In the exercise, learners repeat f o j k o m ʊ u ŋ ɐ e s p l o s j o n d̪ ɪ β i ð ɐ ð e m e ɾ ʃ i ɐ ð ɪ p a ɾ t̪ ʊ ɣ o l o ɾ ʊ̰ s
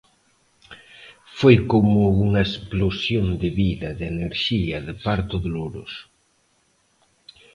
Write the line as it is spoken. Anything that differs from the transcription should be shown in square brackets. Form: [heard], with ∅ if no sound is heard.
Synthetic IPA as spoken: f o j k o m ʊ u ŋ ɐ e s p l o s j o n d̪ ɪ β i ð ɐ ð e [n] e ɾ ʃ i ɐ ð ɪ p a ɾ t̪ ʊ [ð] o l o ɾ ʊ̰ s